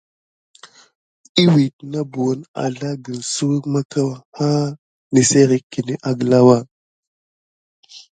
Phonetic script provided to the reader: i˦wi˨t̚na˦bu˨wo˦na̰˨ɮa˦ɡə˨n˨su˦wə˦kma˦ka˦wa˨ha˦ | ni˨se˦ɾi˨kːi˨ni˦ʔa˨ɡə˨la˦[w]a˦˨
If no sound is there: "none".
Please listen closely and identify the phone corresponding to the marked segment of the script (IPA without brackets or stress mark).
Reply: w